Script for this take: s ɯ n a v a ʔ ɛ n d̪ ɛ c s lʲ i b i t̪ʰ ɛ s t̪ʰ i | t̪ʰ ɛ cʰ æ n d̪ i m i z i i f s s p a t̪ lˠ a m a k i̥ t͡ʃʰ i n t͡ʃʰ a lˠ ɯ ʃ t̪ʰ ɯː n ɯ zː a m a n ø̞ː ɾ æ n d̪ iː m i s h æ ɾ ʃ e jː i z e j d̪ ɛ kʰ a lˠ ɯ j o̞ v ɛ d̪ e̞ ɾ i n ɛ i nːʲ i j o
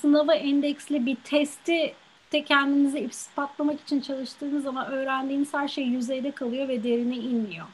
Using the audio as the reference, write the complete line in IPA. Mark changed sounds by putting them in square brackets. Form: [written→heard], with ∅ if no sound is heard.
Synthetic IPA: s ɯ n a v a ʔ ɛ n d̪ ɛ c s lʲ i b i t̪ʰ ɛ s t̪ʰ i | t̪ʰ ɛ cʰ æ n d̪ i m i z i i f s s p a t̪ lˠ a m a k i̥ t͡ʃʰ i n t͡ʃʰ a lˠ ɯ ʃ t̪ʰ ɯː n ɯ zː a m a n ø̞ː ɾ æ n d̪ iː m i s h æ ɾ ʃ e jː [i→y] z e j d̪ ɛ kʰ a lˠ ɯ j o̞ v ɛ d̪ e̞ ɾ i n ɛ i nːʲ i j o